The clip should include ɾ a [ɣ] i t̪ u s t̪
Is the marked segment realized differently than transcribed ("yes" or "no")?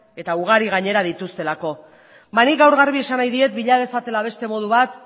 yes